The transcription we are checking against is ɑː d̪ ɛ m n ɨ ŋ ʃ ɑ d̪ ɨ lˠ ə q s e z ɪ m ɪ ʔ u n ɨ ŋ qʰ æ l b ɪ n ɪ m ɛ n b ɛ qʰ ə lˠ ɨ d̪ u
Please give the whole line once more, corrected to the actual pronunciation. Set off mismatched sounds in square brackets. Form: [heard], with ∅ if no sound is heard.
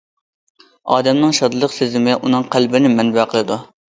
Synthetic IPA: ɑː d̪ ɛ m n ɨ ŋ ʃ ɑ d̪ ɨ lˠ ə q s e z ɪ m ɪ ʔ u n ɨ ŋ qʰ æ l b ɪ n ɪ m ɛ n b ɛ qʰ ə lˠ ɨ d̪ u